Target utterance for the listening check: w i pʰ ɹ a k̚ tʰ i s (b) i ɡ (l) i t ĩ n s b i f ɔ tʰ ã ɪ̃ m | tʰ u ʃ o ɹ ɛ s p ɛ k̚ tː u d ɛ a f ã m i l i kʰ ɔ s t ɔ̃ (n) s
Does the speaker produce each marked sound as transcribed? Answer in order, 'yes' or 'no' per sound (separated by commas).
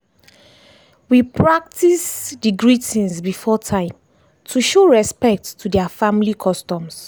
no, no, no